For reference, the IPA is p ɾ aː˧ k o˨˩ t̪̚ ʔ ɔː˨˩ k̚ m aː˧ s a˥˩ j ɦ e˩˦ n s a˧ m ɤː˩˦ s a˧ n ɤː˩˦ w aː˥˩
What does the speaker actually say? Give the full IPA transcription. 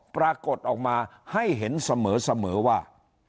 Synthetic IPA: p ɾ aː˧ k o˨˩ t̪̚ ʔ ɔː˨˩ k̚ m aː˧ h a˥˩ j ɦ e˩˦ n s a˧ m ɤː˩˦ s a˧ m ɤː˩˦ w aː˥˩